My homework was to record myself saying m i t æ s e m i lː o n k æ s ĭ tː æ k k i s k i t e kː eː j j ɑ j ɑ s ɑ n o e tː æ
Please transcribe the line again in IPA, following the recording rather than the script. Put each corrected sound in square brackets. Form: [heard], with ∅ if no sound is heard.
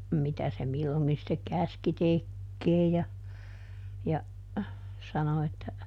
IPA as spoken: m i t æ s e m i lː o [ŋ] k [i] s ĭ tː [e] k k [æ] s k i t e kː eː j j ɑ j ɑ s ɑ n o e tː æ